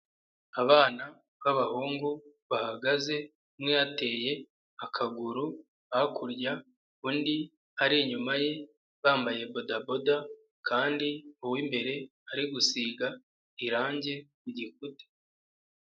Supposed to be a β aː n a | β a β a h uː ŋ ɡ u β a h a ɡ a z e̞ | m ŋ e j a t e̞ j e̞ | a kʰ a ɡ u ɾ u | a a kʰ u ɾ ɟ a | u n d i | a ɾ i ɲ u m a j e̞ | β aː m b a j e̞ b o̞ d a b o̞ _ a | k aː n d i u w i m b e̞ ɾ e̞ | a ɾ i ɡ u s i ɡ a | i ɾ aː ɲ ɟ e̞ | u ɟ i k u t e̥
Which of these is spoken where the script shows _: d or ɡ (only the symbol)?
d